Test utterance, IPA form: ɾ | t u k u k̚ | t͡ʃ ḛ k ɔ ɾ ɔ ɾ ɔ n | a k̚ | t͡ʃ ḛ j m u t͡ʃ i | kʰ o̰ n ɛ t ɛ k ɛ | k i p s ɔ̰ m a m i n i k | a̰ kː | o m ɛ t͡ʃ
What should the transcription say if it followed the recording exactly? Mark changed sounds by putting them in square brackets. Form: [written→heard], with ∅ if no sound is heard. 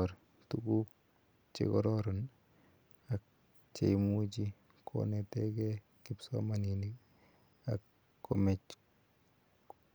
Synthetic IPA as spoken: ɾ | t u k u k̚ | t͡ʃ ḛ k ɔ ɾ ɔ ɾ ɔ n | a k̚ | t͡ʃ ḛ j m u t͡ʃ i | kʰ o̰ n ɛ t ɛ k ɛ | k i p s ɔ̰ m a [m→n] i n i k | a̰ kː | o m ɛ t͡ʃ